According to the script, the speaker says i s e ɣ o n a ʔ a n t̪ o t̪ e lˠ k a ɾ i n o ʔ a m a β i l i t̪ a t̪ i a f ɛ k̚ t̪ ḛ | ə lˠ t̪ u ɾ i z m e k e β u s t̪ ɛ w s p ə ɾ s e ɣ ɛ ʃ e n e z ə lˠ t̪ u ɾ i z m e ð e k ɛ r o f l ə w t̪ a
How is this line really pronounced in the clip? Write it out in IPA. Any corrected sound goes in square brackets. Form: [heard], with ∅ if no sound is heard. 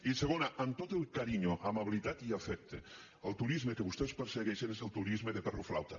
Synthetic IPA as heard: i s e ɣ o n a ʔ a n t̪ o t̪ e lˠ k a ɾ i [ɲ] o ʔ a m a β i l i t̪ a t̪ i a f ɛ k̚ t̪ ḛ | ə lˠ t̪ u ɾ i z m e k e β u s t̪ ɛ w s p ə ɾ s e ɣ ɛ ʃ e n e z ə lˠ t̪ u ɾ i z m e ð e [p] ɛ r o f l [a] w t̪ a